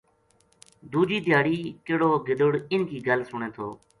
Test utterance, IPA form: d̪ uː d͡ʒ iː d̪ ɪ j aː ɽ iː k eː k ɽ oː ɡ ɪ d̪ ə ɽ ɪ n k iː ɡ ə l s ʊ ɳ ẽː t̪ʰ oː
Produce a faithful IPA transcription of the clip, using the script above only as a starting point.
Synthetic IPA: d̪ uː d͡ʒ iː d̪ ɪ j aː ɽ iː k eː ɽ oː ɡ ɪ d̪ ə ɽ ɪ n k iː ɡ ə l s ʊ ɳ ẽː t̪ʰ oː